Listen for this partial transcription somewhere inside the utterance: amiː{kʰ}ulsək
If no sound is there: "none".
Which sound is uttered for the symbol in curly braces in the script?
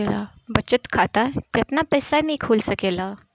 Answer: kʰ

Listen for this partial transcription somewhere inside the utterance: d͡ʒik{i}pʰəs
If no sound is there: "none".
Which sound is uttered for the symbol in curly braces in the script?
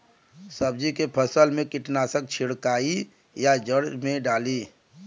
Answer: e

